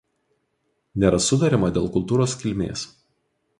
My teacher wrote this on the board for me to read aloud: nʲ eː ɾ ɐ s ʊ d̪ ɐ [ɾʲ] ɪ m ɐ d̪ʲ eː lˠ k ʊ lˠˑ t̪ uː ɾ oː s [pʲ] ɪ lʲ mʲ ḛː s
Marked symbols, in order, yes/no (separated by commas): yes, no